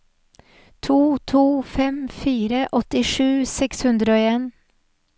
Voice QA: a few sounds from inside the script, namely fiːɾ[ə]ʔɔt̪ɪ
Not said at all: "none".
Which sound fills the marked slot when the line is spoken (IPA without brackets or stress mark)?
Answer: ə